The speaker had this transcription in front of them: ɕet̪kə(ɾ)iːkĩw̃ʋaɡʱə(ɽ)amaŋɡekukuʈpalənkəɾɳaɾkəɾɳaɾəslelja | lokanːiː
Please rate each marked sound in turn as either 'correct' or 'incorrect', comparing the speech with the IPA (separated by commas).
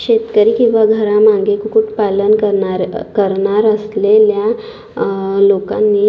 correct, incorrect